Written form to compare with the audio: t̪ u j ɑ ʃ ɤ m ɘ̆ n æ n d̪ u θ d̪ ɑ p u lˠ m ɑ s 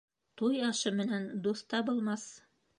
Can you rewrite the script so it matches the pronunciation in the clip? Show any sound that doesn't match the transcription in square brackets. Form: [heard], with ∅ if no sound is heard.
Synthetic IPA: t̪ u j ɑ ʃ ɤ m ɘ̆ n æ n d̪ u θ [t̪] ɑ [b] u lˠ m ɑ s